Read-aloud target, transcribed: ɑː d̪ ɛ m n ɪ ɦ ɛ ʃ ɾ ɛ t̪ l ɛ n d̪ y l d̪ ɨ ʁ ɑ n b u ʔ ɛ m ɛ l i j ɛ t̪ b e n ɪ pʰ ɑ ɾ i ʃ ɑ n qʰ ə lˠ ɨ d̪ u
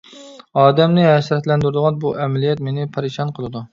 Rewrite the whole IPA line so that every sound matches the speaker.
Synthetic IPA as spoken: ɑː d̪ ɛ m n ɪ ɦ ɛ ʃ ɾ ɛ t̪ l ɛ n d̪ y ɾ d̪ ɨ ʁ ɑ n b u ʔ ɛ m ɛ l i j ɛ t̪ m e n ɪ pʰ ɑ ɾ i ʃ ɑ n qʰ ə lˠ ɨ d̪ u